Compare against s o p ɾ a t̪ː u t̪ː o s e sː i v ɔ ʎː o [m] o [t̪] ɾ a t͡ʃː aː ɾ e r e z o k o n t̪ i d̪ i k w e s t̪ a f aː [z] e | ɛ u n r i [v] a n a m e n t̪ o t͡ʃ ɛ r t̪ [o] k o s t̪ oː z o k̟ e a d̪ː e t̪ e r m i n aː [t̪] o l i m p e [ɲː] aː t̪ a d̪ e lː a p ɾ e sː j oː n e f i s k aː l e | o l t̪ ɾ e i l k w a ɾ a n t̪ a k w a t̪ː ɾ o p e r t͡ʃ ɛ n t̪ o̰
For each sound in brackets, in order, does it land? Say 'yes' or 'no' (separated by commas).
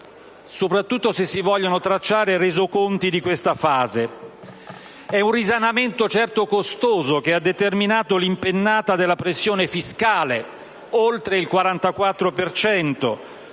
no, yes, yes, no, yes, yes, no